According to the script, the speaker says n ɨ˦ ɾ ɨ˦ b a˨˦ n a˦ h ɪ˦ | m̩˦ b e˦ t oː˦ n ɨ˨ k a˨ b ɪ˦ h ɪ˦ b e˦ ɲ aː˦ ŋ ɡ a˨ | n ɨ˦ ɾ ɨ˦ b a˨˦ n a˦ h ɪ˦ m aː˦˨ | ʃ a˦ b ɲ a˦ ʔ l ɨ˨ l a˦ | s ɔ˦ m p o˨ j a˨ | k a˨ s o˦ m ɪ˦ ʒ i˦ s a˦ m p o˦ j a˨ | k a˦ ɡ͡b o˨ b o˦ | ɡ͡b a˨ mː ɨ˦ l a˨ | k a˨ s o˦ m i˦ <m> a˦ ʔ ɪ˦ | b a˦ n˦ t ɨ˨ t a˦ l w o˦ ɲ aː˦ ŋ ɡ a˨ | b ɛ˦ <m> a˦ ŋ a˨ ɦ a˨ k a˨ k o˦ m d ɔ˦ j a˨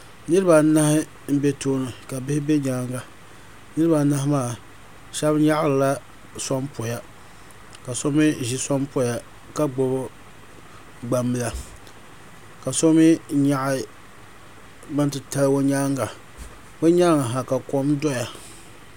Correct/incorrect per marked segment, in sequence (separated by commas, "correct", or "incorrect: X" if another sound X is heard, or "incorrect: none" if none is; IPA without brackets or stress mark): incorrect: ɲ, incorrect: ɲ